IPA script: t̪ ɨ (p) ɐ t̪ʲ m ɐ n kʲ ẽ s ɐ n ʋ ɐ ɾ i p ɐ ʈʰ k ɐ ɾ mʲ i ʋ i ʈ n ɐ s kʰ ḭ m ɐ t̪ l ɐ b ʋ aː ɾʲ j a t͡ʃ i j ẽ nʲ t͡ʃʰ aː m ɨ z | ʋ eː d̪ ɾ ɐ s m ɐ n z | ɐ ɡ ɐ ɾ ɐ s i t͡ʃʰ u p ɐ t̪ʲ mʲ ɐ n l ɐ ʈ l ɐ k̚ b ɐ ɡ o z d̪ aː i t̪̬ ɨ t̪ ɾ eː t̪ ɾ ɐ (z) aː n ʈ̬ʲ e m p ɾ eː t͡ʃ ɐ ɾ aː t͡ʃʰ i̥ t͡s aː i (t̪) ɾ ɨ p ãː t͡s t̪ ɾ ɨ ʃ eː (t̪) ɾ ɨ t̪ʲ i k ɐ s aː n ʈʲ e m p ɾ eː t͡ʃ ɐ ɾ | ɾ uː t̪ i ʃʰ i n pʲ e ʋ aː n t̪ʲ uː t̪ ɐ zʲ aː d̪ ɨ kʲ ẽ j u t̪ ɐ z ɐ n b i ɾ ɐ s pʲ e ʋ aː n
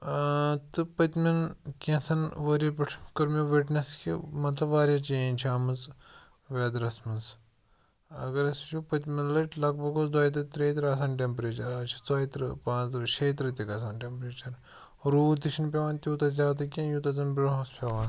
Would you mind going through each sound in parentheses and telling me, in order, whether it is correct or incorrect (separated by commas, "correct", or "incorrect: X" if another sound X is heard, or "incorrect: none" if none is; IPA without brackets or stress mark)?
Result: correct, incorrect: s, correct, correct